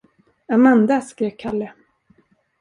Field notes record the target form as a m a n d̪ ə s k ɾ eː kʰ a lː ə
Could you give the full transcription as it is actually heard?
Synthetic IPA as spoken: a m a n d̪ a s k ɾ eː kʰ a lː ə

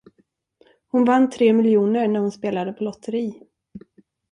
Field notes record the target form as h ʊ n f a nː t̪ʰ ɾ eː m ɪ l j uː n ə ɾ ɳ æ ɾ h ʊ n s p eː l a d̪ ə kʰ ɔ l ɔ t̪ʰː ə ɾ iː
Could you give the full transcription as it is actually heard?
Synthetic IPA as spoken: h ʊ n v a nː t̪ʰ ɾ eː m ɪ l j uː n ə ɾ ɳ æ ɾ h ʊ n s p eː l a d̪ ə pʰ ɔ l ɔ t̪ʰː ə ɾ iː

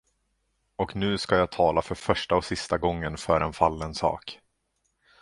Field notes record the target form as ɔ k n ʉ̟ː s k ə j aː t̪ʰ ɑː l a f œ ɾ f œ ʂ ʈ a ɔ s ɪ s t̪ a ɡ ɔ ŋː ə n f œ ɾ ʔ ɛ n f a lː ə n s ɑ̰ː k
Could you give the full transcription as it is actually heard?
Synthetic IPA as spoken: ɔ k n ʉ̟ː s k a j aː t̪ʰ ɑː l a f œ ɾ f œ ʂ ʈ a ɔ s ɪ s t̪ a ɡ ɔ ŋː ə n f œ ɾ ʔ ɛ n f a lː ə n s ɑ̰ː k

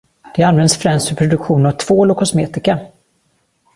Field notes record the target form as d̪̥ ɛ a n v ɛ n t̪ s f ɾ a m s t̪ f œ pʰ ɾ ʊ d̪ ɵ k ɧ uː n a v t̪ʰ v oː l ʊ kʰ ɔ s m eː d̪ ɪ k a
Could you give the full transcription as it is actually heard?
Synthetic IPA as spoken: d̪̥ ɛ a n v ɛ n d̪ s f ɾ ɛ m s t̪ f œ pʰ ɾ ʊ d̪ ɵ k ɧ uː n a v t̪ʰ v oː l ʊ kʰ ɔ s m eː t̪ ɪ k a

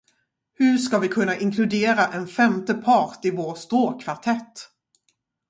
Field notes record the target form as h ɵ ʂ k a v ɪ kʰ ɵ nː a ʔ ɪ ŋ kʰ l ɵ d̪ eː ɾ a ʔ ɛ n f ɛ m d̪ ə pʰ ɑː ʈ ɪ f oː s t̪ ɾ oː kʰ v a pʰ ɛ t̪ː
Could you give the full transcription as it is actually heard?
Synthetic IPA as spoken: h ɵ ʂ k a v ɪ kʰ ɵ nː a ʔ ɪ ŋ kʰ l ɵ d̪ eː ɾ a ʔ ɛ n f ɛ m t̪ ə pʰ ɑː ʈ ɪ v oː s t̪ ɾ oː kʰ v a ʈʰ ɛ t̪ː

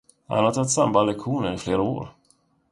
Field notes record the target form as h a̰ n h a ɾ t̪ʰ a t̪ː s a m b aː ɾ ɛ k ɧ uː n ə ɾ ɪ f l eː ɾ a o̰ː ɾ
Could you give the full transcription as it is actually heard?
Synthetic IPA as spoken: h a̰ n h a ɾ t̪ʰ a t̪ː s a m b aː l ɛ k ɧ uː n ə ɾ ɪ f l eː ɾ a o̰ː ɾ

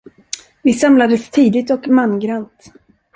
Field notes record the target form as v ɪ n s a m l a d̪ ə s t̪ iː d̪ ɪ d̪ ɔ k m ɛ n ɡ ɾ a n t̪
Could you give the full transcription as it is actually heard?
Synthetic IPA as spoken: v ɪ s a m l a d̪ ə s t̪ʰ iː d̪ ɪ t̪ ɔ k m a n ɡ ɾ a n t̪

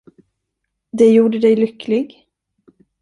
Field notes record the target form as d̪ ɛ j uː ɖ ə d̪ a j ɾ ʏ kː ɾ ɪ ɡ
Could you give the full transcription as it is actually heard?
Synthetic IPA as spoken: d̪ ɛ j uː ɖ ə d̪ ɛ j l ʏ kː l ɪ ɡ

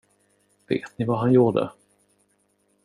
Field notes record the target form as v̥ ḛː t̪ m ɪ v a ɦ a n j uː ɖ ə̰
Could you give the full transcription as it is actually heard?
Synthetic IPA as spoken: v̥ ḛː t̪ n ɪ v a ɦ a n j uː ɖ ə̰

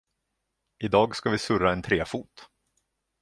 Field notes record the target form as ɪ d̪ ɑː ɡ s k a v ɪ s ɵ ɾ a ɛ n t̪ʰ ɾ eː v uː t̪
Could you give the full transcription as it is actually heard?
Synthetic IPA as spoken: ɪ d̪ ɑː ɡ s k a v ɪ s ɵ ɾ a ɛ n t̪ʰ ɾ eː f uː t̪

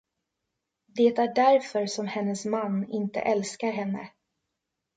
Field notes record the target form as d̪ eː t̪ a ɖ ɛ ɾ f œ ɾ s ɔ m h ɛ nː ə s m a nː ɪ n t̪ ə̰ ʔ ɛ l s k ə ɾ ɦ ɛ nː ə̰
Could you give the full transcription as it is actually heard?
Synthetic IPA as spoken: d̪ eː t̪ æ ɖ æ ɾ f œ ɾ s ɔ m h ɛ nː ə s m a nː ɪ n t̪ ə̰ ʔ ɛ l s k a ɾ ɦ ɛ nː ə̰

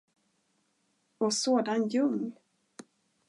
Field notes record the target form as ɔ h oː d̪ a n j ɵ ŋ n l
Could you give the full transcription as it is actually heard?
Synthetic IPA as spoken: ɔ s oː d̪ a n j ɵ ŋ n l

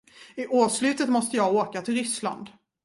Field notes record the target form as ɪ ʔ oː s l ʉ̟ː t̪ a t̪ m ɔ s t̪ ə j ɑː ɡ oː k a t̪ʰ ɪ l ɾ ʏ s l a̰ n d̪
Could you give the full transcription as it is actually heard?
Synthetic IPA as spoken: ɪ ʔ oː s l ʉ̟ː t̪ ə t̪ m ɔ s t̪ ə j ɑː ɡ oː k a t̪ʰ ɪ l ɾ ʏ s l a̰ n d̪

